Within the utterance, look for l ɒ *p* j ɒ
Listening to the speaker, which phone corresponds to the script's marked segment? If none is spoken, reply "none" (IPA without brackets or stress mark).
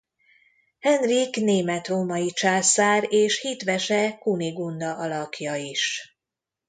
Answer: k